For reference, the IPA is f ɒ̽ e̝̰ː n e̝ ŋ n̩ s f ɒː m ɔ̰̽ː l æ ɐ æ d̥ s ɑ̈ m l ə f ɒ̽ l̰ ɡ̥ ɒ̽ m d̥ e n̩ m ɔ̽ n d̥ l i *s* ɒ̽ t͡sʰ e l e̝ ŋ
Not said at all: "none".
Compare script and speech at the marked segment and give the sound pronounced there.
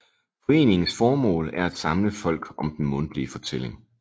f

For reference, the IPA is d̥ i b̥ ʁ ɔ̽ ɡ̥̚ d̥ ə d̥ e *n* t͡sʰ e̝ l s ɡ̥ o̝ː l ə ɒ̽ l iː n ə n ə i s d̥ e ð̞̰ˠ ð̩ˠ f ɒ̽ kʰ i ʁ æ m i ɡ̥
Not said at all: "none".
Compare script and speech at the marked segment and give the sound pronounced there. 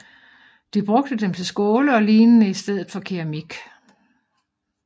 m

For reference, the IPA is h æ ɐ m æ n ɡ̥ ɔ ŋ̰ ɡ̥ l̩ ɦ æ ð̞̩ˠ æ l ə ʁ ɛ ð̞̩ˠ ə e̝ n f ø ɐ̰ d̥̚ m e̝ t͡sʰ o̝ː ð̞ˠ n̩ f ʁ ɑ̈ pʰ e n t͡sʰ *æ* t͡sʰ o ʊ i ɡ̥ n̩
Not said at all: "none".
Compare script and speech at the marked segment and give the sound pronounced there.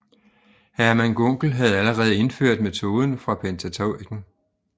æ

